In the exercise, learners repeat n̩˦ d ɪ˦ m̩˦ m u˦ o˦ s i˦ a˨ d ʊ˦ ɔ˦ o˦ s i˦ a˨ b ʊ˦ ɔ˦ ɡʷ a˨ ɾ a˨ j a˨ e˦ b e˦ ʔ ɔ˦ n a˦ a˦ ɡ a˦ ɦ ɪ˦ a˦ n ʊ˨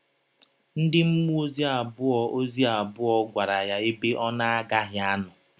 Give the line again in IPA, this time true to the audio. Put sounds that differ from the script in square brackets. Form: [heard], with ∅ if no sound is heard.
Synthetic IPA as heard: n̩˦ d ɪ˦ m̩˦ m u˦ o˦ [z] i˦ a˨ [b] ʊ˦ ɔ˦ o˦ [z] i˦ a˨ b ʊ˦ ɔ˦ ɡʷ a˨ ɾ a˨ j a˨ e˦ b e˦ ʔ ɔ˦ n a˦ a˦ ɡ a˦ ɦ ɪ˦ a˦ n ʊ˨